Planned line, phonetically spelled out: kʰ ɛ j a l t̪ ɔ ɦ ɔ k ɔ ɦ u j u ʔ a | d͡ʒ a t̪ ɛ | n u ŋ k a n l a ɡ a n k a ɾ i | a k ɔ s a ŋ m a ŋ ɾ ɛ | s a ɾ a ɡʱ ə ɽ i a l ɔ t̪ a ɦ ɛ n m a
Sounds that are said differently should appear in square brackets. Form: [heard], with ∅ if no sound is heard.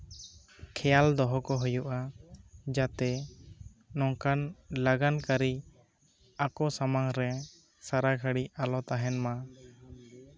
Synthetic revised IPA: kʰ ɛ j a l [d̪] ɔ ɦ ɔ k ɔ ɦ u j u ʔ a | d͡ʒ a t̪ ɛ | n [ɔ] ŋ k a n l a ɡ a n k a ɾ i | a k ɔ s a [∅] m a ŋ ɾ ɛ | s a ɾ a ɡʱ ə ɽ i a l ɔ t̪ a ɦ ɛ n m a